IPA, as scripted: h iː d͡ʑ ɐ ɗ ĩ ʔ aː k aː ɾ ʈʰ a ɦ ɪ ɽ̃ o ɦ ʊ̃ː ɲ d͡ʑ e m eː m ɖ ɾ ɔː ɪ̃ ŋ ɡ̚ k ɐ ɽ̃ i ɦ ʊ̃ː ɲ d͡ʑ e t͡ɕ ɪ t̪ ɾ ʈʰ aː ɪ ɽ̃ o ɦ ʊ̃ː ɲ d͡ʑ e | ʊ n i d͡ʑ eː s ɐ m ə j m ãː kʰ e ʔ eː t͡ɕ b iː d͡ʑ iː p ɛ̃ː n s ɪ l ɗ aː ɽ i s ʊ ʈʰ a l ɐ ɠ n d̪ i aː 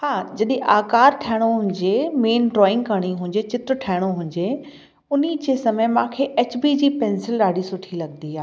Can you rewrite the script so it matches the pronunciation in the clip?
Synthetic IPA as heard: h aː d͡ʑ ɐ ɗ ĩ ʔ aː k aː ɾ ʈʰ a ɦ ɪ ɽ̃ o ɦ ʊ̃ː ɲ d͡ʑ e m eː n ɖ ɾ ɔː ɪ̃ ŋ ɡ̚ k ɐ ɽ̃ i ɦ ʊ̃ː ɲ d͡ʑ e t͡ɕ ɪ t̪ ɾ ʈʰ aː ɪ ɽ̃ o ɦ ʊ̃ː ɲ d͡ʑ e | ʊ n i d͡ʑ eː s ɐ m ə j m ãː kʰ e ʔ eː t͡ɕ b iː d͡ʑ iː p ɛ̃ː n s ɪ l ɗ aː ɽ i s ʊ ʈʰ i l ɐ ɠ n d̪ i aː